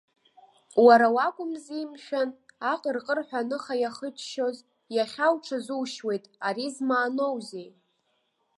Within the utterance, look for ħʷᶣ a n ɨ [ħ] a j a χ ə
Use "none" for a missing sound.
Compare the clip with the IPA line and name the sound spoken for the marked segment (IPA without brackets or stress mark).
χ